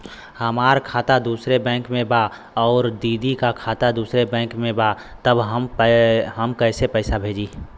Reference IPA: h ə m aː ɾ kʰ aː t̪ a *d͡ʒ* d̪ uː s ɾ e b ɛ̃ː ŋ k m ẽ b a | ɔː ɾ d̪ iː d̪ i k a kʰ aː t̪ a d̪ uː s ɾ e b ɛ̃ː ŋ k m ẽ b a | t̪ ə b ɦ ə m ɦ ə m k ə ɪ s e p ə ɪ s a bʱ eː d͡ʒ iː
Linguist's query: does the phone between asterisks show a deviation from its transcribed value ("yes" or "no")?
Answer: yes